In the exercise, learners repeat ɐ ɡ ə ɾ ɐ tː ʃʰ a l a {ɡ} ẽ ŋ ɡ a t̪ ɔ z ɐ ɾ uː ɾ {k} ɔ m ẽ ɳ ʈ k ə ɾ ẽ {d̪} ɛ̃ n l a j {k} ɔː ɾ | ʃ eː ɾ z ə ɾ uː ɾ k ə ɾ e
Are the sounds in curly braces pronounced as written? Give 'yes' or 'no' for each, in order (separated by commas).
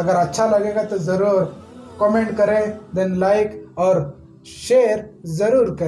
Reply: yes, yes, yes, yes